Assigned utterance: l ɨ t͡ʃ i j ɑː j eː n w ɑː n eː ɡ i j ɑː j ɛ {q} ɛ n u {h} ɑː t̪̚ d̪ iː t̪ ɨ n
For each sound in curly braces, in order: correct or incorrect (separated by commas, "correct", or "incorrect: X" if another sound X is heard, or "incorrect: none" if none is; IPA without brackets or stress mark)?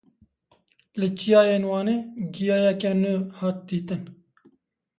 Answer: incorrect: k, correct